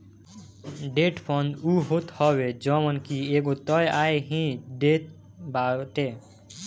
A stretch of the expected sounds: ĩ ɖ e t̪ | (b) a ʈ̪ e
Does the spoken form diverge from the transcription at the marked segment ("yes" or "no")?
no